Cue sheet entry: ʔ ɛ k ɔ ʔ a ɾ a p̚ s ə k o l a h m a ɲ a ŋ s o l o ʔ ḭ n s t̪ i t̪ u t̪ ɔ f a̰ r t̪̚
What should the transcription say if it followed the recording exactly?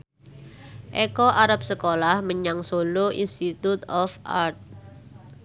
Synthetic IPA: ʔ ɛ k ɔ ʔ a ɾ a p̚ s ə k o l a h m ə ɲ a ŋ s o l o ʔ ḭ n s t̪ i t̪ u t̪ ɔ f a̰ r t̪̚